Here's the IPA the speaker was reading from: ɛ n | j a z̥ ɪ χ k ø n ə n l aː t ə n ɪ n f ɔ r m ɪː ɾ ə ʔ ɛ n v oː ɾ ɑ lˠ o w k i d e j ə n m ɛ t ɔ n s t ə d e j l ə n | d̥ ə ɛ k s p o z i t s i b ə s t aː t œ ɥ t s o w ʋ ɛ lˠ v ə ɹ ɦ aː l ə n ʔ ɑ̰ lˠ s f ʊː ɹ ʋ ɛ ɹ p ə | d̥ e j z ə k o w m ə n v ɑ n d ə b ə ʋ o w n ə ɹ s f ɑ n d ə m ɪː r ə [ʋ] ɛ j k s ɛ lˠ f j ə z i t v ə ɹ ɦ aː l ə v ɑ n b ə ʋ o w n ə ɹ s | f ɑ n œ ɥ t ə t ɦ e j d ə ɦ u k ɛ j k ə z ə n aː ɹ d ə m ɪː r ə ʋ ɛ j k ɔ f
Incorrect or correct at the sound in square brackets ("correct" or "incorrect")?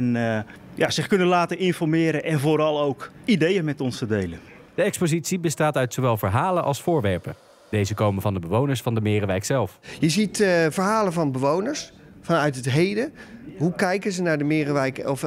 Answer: correct